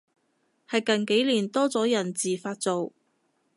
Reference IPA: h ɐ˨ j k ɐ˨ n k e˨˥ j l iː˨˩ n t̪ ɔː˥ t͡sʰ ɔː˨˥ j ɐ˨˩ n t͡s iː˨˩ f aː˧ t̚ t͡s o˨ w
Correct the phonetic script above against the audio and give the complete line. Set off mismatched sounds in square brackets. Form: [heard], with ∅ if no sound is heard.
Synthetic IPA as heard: h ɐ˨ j k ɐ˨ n k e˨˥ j l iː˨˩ n t̪ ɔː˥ [t͡s] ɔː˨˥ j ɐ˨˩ n t͡s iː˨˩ f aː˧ t̚ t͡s o˨ w